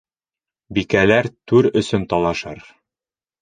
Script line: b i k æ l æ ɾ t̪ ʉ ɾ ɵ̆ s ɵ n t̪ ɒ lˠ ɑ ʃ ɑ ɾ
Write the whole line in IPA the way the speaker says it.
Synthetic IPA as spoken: b i k æ l æ ɾ t̪ ʉ ɾ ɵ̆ s ɵ n t̪ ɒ lˠ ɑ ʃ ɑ ɾ